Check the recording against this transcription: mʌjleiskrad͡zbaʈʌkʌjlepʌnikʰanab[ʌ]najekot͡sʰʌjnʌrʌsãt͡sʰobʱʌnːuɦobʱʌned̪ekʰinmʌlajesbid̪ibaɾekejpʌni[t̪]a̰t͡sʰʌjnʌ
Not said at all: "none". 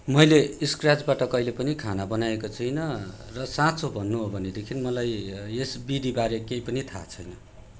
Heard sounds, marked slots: ʌ, t̪ʰ

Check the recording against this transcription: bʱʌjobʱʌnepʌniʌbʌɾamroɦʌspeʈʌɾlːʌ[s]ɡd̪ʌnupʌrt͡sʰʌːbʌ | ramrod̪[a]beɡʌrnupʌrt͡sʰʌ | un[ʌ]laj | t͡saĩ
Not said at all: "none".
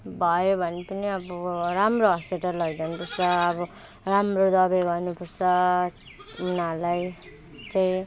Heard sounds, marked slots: none, ʌ, a

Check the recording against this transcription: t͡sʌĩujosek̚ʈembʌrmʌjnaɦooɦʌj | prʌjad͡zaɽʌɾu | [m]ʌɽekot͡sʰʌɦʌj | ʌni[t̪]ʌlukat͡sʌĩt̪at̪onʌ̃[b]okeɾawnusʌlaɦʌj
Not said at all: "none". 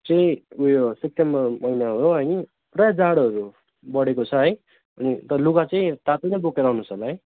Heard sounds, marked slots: b, t̪, b

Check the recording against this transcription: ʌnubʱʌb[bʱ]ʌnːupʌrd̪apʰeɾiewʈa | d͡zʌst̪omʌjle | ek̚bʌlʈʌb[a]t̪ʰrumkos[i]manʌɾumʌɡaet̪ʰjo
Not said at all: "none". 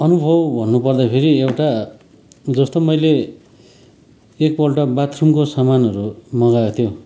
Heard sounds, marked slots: bʱ, a, a

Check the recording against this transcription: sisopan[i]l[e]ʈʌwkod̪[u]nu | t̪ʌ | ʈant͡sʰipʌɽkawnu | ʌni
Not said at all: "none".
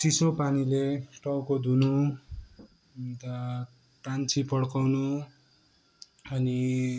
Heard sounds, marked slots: i, e, u

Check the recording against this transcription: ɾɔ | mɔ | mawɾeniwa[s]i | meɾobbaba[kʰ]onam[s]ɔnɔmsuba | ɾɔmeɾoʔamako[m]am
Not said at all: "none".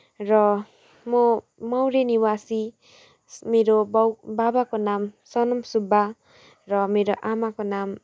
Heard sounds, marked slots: s, k, s, n

